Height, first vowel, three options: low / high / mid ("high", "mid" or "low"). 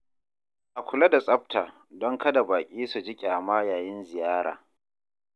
low